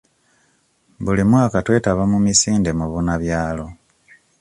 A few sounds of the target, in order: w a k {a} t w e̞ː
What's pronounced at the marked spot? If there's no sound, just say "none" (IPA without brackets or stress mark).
a